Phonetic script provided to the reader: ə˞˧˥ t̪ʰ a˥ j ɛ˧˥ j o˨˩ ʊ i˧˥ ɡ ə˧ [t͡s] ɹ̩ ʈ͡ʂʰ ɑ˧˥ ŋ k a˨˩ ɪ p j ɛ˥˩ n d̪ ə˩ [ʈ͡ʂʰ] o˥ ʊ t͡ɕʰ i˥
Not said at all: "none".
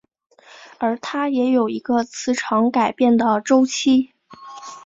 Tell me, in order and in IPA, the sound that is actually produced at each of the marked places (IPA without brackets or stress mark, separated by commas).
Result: t͡sʰ, ʈ͡ʂ